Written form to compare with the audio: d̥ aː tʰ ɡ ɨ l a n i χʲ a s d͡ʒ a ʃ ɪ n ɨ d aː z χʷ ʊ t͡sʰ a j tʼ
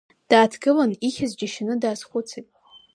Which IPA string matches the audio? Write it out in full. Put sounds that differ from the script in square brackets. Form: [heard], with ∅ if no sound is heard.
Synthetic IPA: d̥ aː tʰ ɡ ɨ l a n i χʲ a [z] d͡ʒ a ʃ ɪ n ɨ d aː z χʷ ʊ t͡sʰ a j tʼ